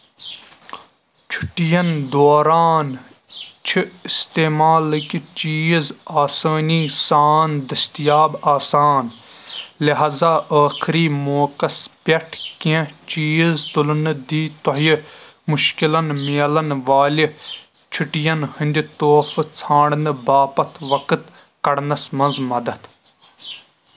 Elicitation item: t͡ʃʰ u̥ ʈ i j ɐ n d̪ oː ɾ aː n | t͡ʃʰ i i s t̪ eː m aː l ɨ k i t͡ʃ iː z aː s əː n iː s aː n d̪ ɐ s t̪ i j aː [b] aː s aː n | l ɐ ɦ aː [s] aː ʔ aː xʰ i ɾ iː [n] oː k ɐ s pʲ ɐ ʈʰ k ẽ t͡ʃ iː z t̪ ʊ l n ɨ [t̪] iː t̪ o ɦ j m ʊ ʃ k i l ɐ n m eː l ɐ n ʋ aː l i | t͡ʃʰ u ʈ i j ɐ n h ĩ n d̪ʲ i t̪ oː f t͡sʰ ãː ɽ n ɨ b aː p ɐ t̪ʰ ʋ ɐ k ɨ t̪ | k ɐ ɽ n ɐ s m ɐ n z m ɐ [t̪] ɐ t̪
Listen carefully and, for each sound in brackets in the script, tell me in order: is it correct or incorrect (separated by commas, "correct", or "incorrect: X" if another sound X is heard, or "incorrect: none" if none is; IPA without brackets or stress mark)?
correct, incorrect: z, incorrect: m, incorrect: d̪, incorrect: d̪